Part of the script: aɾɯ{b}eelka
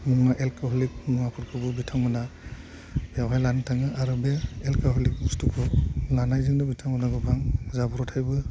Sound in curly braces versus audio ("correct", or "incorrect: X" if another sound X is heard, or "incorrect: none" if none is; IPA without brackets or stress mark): correct